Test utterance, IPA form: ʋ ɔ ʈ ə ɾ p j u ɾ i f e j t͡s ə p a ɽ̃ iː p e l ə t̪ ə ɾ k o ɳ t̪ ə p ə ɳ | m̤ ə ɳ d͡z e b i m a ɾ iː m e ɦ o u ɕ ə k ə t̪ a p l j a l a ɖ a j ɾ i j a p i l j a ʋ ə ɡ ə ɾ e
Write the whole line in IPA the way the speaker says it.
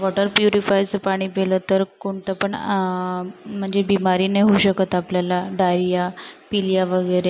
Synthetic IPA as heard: ʋ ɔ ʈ ə ɾ p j u ɾ i f a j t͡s ə p a ɽ̃ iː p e l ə t̪ ə ɾ k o ɳ t̪ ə p ə ɳ | m̤ ə ɳ d͡z e b i m a ɾ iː n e ɦ o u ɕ ə k ə t̪ a p l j a l a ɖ a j ɾ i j a p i l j a ʋ ə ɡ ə ɾ e